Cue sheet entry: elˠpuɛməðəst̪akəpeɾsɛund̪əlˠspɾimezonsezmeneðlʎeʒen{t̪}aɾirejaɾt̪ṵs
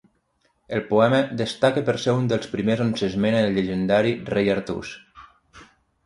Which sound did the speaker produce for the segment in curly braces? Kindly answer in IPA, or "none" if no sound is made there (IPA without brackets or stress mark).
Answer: d̪